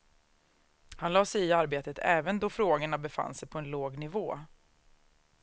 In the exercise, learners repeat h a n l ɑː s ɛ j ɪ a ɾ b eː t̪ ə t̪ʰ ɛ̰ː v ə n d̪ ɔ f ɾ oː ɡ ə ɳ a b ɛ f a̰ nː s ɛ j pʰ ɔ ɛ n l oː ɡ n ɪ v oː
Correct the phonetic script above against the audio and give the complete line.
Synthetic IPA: h a n l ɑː s ɛ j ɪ a ɾ b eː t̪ ə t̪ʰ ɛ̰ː v ə n d̪ ɔ f ɾ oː ɡ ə ɳ a b ɛ f a̰ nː s ɛ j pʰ ɔ ɛ n l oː ɡ n ɪ v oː